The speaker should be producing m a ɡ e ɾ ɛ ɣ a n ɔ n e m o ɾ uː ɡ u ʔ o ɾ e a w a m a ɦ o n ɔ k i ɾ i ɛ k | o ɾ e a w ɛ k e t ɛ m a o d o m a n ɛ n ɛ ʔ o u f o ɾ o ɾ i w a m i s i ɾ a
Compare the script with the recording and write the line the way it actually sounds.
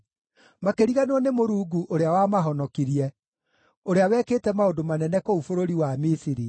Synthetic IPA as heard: m a k e ɾ i ɣ a n ɔ n e m o ɾ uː ɡ u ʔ o ɾ e a w a m a ɦ ɔ n ɔ k i ɾ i ɛ | o ɾ e a w ɛ k e t ɛ m a o d o m a n ɛ n ɛ k o u f o ɾ o ɾ i w a m i s i ɾ i